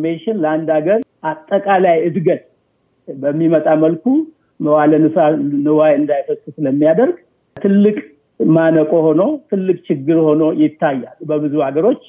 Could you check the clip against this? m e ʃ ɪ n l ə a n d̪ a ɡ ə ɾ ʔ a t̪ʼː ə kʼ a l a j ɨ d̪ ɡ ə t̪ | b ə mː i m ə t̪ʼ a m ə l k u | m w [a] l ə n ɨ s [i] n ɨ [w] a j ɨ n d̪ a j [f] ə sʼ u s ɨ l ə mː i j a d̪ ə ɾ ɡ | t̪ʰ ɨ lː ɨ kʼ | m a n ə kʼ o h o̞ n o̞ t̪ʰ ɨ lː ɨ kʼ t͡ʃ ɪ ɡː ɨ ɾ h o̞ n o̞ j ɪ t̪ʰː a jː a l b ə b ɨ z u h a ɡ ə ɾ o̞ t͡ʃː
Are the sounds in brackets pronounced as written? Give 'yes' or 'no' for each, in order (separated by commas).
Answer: yes, no, yes, yes